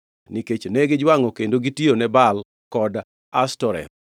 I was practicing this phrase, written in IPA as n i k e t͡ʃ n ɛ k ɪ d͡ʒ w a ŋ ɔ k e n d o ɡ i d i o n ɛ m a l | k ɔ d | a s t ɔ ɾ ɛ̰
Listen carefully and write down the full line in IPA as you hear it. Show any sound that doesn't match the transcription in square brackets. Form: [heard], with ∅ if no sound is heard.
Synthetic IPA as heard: n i k e t͡ʃ n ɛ [ɡ] ɪ d͡ʒ w a ŋ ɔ k e n d o ɡ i [t] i o n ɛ [b] a l | k ɔ d | a s t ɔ ɾ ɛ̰